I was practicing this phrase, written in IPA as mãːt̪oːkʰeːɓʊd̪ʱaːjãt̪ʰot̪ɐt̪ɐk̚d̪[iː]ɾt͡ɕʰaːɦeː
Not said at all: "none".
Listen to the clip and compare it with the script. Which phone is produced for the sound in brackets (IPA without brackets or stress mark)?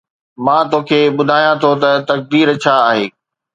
iː